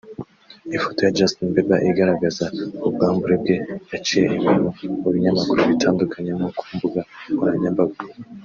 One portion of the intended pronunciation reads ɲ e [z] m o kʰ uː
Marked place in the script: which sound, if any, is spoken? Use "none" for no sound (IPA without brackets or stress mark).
none